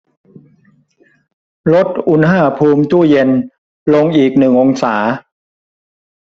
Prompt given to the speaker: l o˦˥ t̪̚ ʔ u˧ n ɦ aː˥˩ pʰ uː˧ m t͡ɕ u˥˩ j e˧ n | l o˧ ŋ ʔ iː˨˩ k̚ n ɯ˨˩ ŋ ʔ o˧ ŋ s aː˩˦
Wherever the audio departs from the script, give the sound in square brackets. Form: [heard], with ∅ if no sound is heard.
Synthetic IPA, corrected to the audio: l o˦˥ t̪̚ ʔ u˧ n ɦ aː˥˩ pʰ uː˧ m t͡ɕ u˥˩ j e˧ n | l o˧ ŋ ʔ iː˨˩ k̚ n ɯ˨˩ ŋ ʔ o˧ ŋ s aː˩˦